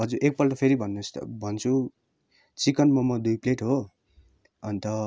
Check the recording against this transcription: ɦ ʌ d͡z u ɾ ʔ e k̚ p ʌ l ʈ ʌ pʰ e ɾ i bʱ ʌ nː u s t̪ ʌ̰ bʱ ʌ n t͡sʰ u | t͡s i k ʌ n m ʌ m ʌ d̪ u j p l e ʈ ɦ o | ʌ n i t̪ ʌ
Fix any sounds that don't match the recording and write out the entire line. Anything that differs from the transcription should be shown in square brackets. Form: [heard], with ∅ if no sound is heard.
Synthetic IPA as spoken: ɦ ʌ d͡z u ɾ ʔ e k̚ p ʌ l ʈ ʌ pʰ e ɾ i bʱ ʌ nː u s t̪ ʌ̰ bʱ ʌ n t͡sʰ u | t͡s i k ʌ n m ʌ m ʌ d̪ u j p l e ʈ ɦ o | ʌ n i t̪ ʌ